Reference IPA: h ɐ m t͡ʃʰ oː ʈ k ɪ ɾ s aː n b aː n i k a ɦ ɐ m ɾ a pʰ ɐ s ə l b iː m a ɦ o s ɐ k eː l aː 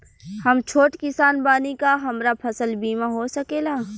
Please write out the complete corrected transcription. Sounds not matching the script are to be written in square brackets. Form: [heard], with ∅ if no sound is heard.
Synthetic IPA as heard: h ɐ m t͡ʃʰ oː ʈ k ɪ [∅] s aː n b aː n i k a ɦ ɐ m ɾ a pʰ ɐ s ə l b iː m a ɦ o s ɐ k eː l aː

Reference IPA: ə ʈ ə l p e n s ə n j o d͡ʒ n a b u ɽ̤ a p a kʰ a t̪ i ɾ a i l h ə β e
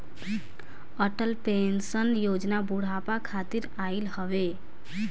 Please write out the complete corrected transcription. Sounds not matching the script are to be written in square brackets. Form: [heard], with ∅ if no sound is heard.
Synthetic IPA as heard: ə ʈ ə l p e n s ə n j o d͡ʒ n a b u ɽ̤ a p a kʰ a t̪ i ɾ a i l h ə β e

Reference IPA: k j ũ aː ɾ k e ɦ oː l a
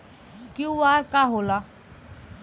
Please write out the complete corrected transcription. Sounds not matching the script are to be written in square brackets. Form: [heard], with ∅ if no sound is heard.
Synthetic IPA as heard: k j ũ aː ɾ k [a] ɦ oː l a

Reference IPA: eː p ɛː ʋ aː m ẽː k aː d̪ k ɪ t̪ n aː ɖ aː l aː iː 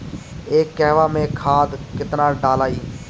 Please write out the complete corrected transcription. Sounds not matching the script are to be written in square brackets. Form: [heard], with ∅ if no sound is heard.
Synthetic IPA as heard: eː [k] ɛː ʋ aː m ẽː [kʰ] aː d̪ k ɪ t̪ n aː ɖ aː l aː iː

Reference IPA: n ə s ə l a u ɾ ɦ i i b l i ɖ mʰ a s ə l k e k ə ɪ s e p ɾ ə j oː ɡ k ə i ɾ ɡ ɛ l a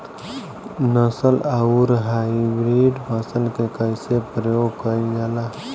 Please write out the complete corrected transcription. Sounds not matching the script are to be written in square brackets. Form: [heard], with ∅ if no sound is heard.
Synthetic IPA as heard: n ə s ə l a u ɾ ɦ [a] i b [ɾ] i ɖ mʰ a s ə l k e k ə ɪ s e p ɾ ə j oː ɡ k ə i [∅] ɡ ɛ l a

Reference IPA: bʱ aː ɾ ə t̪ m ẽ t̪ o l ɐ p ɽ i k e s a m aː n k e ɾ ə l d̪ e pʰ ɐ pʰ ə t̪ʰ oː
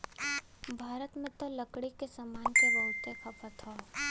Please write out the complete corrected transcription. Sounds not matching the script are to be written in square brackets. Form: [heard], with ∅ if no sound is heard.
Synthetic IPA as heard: bʱ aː ɾ ə t̪ m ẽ t̪ o l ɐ [k] ɽ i k e s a m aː n k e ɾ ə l [t̪] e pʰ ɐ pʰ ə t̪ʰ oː

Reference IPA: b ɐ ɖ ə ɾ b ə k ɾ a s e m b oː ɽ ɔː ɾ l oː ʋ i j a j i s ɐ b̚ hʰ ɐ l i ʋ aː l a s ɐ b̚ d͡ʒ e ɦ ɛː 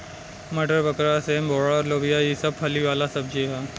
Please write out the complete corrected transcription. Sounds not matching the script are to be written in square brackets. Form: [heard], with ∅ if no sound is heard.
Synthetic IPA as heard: [m] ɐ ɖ ə ɾ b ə k ɾ a s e m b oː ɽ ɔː ɾ l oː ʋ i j a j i s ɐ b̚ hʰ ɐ l i ʋ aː l a s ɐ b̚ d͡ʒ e ɦ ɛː

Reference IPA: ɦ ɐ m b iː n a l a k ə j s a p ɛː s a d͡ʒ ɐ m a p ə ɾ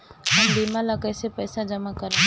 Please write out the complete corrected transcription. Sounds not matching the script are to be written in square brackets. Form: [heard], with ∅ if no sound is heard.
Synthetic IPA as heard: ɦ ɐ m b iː [m] a l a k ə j s [e] p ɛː s a d͡ʒ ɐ m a [k] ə ɾ

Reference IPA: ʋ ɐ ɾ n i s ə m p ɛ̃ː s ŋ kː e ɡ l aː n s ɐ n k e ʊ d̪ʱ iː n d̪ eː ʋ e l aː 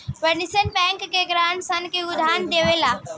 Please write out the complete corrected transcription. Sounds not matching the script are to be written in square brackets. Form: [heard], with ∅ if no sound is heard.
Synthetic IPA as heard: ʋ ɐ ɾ n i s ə [n] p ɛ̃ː [∅] ŋ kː e ɡ [ɾ] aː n s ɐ n k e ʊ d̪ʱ [aː] n d̪ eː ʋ e l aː

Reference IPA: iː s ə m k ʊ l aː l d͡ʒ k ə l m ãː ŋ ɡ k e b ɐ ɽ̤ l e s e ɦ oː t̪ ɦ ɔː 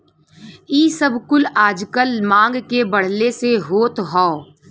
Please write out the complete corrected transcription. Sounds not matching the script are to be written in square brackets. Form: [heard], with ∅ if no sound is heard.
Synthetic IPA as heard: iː s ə [b] k ʊ l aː [∅] d͡ʒ k ə l m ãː ŋ ɡ k e b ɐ ɽ̤ l e s e ɦ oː t̪ ɦ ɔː

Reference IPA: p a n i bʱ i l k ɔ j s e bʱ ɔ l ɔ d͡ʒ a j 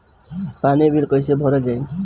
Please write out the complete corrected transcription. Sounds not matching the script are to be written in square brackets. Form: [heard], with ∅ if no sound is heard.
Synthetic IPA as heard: p a n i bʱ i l k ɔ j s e bʱ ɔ [ɾ] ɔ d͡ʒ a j

